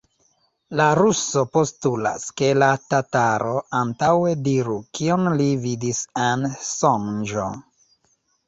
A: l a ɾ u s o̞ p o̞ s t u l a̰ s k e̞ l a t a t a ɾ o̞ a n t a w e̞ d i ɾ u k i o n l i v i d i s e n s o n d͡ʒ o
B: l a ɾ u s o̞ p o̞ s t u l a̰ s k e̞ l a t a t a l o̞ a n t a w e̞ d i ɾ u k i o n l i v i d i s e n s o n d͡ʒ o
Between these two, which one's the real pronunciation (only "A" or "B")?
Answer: A